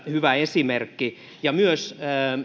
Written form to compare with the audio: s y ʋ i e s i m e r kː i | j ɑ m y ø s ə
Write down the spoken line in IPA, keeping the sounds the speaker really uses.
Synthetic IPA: h y ʋ æ e s i m e r kː i | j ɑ m y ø s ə